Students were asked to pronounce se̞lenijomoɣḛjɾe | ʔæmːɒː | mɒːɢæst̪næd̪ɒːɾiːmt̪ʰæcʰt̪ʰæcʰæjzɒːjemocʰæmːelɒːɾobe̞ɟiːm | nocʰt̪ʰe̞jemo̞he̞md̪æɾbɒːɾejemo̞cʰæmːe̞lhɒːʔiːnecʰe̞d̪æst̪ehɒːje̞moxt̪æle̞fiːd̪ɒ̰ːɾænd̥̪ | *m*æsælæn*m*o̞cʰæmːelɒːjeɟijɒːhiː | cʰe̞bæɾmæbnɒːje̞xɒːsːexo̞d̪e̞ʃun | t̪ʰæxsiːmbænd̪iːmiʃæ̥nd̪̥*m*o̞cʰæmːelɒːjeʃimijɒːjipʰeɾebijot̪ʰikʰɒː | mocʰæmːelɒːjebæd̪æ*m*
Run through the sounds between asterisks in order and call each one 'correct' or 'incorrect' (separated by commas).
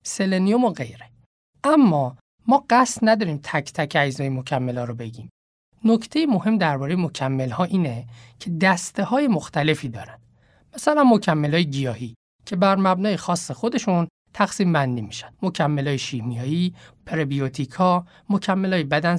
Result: correct, correct, correct, incorrect